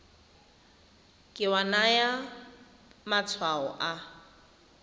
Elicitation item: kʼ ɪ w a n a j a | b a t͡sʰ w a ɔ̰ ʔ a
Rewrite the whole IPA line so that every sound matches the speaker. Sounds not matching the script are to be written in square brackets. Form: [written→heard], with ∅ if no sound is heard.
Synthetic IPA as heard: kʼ ɪ w a n a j a | [b→m] a t͡sʰ w a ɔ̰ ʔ a